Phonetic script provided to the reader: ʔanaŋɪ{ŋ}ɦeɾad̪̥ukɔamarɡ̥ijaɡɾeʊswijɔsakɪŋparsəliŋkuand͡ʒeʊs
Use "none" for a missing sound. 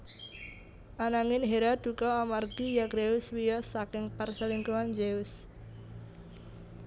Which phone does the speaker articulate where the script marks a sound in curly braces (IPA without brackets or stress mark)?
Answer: n